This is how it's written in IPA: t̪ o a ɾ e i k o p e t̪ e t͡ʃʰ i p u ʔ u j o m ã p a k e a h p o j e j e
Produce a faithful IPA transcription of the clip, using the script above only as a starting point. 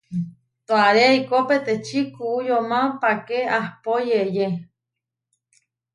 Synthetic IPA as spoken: t̪ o a ɾ e i k o p e t̪ e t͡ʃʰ i k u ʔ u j o m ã p a k e a h p o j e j e